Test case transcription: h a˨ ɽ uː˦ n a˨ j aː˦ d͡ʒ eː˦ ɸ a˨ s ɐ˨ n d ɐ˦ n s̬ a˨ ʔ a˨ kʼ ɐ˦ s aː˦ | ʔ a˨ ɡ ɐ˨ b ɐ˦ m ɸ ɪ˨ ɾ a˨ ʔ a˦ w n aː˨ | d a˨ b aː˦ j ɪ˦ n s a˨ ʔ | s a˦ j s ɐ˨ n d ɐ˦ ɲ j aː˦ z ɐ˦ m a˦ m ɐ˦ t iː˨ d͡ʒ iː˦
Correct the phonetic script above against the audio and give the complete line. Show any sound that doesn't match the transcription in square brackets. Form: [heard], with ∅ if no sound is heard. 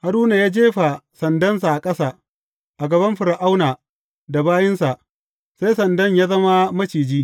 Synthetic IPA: h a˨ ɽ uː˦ n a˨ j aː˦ d͡ʒ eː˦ ɸ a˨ s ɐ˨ n d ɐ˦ n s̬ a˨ ʔ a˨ kʼ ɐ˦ s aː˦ | ʔ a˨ ɡ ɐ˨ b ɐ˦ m ɸ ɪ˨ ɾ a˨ ʔ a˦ w n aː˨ | d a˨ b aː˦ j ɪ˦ n s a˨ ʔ | s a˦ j s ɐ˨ n d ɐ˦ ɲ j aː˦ z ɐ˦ m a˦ m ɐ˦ [t͡ʃ] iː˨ d͡ʒ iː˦